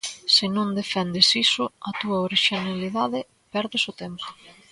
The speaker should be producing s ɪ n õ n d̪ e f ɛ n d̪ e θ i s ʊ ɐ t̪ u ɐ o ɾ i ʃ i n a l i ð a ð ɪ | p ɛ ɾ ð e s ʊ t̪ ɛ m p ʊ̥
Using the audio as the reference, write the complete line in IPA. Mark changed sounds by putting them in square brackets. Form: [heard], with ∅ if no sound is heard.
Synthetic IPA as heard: s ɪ n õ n d̪ e f ɛ n d̪ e [s] i s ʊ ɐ t̪ u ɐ o ɾ i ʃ i n a l i ð a ð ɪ | p ɛ ɾ ð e s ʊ t̪ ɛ m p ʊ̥